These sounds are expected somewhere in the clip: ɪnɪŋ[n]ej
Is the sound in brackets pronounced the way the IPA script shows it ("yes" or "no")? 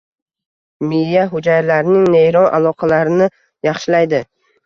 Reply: yes